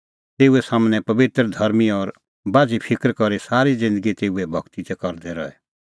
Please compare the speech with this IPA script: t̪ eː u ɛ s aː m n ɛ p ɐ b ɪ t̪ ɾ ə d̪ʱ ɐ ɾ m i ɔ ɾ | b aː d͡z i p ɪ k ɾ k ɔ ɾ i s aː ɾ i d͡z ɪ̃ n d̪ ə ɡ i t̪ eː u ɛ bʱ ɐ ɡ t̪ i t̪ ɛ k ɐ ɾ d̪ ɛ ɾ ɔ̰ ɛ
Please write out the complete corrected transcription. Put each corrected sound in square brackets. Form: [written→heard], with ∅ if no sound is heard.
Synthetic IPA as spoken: t̪ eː u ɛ s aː m n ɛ p ɐ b ɪ t̪ ɾ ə d̪ʱ ɐ ɾ m i ɔ ɾ | b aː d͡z i [p→pʰ] ɪ k ɾ k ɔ ɾ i s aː ɾ i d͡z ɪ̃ n d̪ ə ɡ i t̪ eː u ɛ bʱ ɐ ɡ t̪ i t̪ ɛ k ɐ ɾ d̪ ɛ ɾ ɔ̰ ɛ